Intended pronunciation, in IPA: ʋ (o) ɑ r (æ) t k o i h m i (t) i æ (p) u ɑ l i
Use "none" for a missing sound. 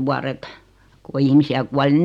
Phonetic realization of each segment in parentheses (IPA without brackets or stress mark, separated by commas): u, e, s, k